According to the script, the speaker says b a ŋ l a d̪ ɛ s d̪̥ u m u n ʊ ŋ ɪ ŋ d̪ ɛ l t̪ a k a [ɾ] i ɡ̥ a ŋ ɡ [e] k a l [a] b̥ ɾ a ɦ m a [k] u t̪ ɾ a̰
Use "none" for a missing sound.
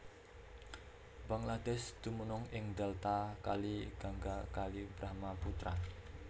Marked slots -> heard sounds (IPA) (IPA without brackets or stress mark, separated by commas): l, a, i, p